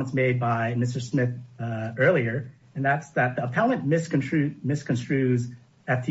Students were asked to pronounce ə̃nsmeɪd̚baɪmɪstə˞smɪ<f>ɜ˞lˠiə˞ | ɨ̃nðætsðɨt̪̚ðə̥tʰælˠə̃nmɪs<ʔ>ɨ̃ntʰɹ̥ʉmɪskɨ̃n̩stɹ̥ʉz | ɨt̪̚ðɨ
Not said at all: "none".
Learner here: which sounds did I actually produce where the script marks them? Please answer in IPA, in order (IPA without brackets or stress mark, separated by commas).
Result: θ, k